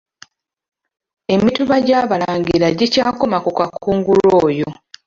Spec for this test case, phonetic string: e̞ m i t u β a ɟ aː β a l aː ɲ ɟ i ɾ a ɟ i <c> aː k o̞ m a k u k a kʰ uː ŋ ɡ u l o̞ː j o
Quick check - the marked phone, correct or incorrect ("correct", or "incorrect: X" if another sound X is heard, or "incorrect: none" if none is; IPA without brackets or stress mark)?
correct